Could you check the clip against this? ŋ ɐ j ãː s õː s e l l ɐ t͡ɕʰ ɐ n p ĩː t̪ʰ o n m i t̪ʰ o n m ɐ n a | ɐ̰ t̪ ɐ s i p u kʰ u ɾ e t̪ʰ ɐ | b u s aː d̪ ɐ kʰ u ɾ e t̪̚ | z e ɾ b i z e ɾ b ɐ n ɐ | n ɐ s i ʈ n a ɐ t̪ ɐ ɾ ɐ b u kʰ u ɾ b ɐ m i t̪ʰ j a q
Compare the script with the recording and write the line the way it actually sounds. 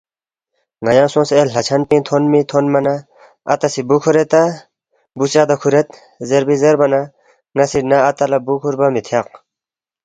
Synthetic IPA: ŋ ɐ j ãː s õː s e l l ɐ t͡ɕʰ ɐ n p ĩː t̪ʰ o n m i t̪ʰ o n m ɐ n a | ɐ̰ t̪ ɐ s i b u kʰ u ɾ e t̪ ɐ | b u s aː d̪ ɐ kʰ u ɾ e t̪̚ | z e ɾ b i z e ɾ b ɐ n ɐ | ŋ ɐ s i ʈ n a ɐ t̪ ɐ l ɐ b u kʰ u ɾ b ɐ m i t̪ʰ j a q